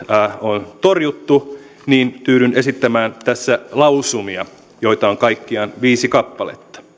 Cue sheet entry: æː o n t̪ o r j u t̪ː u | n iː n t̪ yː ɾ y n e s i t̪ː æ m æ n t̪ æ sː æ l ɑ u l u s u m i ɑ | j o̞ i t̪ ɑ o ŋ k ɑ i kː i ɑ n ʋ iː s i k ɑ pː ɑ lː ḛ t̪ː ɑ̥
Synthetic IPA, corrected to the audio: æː o n t̪ o r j u t̪ː u | n iː n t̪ yː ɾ y n e s i t̪ː æ m æː n t̪ æ sː æ l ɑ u l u s u m i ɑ | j o̞ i t̪ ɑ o ŋ k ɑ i kː i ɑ n ʋ iː s i k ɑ pː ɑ l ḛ t̪ː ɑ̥